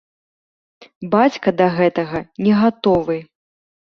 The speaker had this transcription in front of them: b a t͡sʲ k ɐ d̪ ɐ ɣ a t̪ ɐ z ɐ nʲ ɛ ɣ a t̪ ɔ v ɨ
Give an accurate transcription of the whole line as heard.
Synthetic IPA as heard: b a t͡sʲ k ɐ d̪ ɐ ɣ ɛ t̪ ɐ ɣ ɐ nʲ ɛ ɣ a t̪ ɔ v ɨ